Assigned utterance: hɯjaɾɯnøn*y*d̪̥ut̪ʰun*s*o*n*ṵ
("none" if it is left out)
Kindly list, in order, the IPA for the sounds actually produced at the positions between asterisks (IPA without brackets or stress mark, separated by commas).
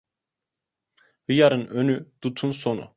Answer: y, s, n